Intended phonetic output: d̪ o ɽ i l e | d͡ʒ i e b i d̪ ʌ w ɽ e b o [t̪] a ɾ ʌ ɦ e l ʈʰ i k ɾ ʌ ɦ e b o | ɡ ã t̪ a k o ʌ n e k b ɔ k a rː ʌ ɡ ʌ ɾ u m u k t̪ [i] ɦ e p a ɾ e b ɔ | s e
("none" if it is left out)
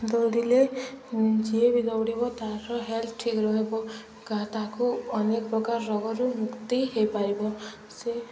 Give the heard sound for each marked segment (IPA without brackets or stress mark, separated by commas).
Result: t̪, i